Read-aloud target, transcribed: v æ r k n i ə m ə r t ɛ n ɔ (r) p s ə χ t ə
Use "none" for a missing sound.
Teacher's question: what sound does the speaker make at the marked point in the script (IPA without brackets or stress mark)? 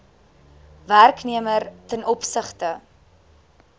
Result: none